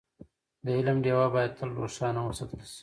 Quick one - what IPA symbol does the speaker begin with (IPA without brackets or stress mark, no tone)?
d̪